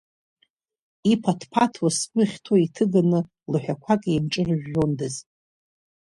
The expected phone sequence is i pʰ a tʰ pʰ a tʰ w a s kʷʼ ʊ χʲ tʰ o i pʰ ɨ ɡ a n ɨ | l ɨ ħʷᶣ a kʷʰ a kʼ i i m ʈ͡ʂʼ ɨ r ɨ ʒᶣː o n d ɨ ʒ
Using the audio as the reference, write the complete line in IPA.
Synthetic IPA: i pʰ a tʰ pʰ a tʰ w a s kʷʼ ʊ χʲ tʰ o i tʰ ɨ ɡ a n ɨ | l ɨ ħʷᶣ a kʷʰ a kʼ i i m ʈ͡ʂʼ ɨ r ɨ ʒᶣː o n d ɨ z